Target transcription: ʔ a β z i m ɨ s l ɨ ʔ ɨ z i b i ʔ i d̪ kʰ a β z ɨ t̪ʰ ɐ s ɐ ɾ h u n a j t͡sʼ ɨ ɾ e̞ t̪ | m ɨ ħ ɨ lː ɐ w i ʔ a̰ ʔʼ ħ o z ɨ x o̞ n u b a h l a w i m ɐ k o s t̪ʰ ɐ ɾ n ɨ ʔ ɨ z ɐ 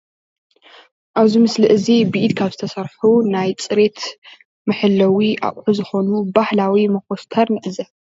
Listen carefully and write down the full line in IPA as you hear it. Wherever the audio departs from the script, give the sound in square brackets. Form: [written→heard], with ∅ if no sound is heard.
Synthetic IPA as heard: ʔ a β z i m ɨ s l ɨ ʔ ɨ z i b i ʔ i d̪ kʰ a β z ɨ t̪ʰ ɐ s ɐ ɾ [h→ħ] u n a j t͡sʼ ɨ ɾ e̞ t̪ | m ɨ ħ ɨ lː ɐ w i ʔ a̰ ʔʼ ħ [o→u] z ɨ x o̞ n u b a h l a w i m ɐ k o s t̪ʰ ɐ ɾ n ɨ ʔ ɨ z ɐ

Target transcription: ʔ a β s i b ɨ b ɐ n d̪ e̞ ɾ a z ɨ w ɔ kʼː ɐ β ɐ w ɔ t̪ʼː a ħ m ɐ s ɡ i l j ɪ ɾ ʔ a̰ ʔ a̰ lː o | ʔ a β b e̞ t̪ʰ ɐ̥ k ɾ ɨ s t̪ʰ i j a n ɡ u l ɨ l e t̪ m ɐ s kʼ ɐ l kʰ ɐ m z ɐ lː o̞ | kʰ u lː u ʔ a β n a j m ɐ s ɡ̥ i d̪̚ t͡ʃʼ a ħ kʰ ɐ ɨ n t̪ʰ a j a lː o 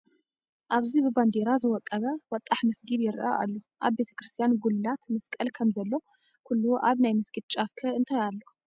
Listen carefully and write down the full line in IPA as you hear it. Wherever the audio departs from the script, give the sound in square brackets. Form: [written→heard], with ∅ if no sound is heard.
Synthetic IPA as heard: ʔ a β [s→z] i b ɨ b [ɐ→a] n d̪ e̞ ɾ a z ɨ w ɔ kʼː ɐ β ɐ w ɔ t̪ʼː a ħ m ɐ s ɡ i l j ɪ ɾ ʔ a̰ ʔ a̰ lː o | ʔ a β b e̞ t̪ʰ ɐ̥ k ɾ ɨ s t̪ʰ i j a n ɡ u l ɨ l [e→a] t̪ m ɐ s kʼ ɐ l kʰ ɐ m z ɐ lː o̞ | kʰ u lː u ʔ a β n a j m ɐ s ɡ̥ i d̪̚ t͡ʃʼ a [ħ→f] kʰ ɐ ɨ n t̪ʰ a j a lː o

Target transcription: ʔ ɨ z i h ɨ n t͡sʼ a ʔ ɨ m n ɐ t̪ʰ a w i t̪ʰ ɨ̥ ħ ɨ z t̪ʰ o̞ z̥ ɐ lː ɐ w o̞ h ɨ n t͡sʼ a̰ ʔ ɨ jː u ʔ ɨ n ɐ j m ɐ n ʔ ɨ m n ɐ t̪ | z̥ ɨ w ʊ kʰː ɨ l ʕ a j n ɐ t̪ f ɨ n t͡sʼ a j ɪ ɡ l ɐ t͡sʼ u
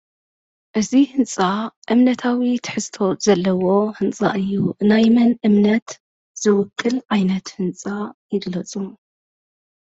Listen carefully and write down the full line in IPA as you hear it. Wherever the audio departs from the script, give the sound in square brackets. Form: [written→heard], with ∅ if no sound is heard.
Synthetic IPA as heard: ʔ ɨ z i h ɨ n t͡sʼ a ʔ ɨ m n ɐ t̪ʰ a w i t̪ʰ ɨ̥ ħ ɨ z t̪ʰ o̞ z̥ ɐ lː ɐ w o̞ h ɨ n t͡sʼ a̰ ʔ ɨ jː u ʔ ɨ n [ɐ→a] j m ɐ n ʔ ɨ m n ɐ t̪ | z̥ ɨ w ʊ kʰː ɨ l ʕ a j n ɐ t̪ [f→h] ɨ n t͡sʼ a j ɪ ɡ l ɐ t͡sʼ u

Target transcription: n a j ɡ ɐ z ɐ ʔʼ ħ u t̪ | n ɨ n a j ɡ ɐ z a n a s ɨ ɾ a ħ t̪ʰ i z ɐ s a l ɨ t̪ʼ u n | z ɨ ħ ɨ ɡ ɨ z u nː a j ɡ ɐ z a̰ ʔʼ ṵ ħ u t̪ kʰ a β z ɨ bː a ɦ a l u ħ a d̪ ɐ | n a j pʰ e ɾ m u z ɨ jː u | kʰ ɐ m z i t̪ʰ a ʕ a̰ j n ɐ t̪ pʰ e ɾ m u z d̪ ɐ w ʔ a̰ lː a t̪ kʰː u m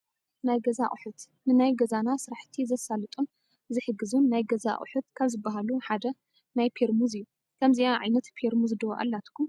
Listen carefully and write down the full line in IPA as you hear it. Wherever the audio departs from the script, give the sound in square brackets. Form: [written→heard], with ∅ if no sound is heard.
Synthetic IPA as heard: n a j ɡ ɐ z [ɐ→a] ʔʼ ħ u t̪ | n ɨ n a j ɡ ɐ z a n a s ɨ ɾ a ħ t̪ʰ i z ɐ s a l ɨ t̪ʼ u n | z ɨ ħ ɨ ɡ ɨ z u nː a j ɡ ɐ z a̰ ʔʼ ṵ ħ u t̪ kʰ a β z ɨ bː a ɦ a l u ħ a d̪ ɐ | n a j pʰ e ɾ m u z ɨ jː u | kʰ ɐ m z i [t̪ʰ→∅] a ʕ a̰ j n ɐ t̪ pʰ e ɾ m u z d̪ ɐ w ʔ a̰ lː a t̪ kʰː u m

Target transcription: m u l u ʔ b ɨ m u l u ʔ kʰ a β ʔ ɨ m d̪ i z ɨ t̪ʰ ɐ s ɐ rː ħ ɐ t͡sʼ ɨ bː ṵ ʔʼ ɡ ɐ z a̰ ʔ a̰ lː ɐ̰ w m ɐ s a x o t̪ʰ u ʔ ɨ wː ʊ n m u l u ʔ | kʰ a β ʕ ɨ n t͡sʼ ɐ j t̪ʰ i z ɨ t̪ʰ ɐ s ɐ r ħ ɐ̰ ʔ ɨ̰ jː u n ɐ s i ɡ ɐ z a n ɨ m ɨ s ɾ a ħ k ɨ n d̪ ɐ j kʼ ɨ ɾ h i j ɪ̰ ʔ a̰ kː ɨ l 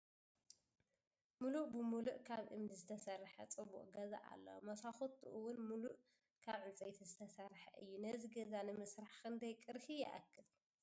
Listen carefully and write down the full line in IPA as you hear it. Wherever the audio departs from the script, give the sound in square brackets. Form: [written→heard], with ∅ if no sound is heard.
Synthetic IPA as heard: m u l u ʔ b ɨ m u l u ʔ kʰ a β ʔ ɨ m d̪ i z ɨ t̪ʰ ɐ s ɐ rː ħ ɐ t͡sʼ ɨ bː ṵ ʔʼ ɡ ɐ z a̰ ʔ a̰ lː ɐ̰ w m ɐ s a x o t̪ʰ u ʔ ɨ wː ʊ n m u l u ʔ | kʰ a β ʕ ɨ n t͡sʼ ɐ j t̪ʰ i z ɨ t̪ʰ ɐ s ɐ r ħ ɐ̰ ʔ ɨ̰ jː u n ɐ [s→z] i ɡ ɐ z a n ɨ m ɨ s ɾ a ħ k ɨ n d̪ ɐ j kʼ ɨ ɾ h i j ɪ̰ ʔ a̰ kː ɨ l

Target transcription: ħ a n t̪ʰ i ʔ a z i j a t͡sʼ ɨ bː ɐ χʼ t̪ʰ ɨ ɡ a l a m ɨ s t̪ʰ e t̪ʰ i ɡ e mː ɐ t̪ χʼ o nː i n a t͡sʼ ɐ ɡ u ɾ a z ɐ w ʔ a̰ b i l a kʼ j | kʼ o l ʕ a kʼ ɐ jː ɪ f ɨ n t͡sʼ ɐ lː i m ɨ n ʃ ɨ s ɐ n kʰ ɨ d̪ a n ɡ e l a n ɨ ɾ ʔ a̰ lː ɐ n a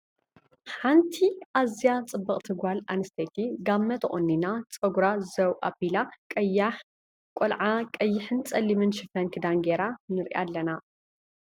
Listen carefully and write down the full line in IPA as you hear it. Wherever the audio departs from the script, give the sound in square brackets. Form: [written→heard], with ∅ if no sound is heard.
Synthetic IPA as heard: ħ a n t̪ʰ i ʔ a z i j a t͡sʼ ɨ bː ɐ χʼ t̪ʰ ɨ ɡ a l a [m→n] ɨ s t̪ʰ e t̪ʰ i ɡ [e→a] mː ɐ t̪ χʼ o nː i n a t͡sʼ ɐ ɡ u ɾ a z ɐ w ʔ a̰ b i l a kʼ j | kʼ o l ʕ a kʼ ɐ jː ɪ [f→ħ] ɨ n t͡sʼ ɐ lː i m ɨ n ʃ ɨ [s→f] ɐ n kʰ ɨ d̪ a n ɡ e [l→ɾ] a n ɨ ɾ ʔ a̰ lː ɐ n a

